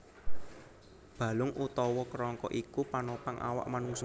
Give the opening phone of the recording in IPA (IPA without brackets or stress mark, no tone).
b̥